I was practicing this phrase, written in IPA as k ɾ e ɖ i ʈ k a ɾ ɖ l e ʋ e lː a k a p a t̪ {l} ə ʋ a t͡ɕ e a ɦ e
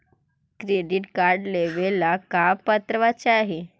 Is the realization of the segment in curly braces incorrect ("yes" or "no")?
yes